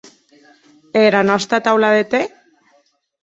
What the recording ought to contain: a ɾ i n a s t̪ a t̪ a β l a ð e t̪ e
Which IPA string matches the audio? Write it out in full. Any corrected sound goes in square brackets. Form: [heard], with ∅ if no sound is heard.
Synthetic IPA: [e] ɾ [a] n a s t̪ a t̪ a [w] l a ð e t̪ e